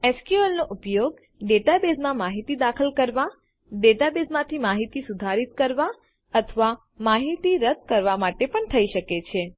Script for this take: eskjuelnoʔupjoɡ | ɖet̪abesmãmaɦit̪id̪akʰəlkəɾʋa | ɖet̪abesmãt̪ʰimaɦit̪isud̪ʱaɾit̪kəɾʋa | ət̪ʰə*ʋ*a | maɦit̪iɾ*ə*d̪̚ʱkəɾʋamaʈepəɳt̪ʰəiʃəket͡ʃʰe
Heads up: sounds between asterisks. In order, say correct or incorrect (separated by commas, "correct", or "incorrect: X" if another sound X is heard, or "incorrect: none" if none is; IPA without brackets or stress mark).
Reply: correct, correct